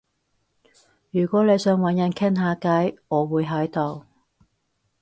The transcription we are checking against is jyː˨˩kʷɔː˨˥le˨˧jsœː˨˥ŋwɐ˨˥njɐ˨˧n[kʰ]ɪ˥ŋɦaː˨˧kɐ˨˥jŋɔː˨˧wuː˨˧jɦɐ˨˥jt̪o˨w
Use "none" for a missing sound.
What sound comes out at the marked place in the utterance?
kʰ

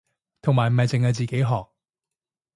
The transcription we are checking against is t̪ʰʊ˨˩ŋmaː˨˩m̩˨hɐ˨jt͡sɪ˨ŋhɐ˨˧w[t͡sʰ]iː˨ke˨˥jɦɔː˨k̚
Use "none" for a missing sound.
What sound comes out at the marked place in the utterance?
t͡s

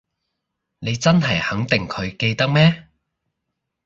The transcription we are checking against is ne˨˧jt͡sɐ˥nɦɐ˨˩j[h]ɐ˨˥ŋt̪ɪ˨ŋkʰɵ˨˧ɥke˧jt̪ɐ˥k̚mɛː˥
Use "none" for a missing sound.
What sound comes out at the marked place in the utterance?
h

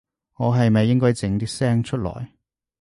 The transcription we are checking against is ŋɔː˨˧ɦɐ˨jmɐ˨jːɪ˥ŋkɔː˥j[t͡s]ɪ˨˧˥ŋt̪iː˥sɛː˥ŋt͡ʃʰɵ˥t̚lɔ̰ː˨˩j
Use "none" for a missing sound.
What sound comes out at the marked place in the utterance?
t͡s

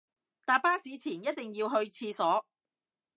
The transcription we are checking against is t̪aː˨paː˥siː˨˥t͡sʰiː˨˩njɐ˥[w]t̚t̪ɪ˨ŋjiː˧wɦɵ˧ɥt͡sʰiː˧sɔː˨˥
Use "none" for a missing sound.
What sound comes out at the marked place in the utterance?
none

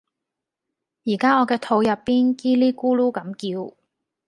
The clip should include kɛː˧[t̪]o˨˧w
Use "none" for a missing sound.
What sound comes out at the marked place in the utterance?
t̪ʰ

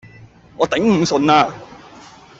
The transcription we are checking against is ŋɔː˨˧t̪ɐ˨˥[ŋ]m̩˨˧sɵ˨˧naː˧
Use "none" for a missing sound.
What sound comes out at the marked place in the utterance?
ŋ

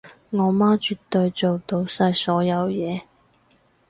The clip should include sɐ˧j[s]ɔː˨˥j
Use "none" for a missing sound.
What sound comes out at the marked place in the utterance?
s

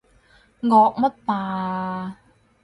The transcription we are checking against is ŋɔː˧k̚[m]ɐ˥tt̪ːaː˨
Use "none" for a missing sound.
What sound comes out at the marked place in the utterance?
m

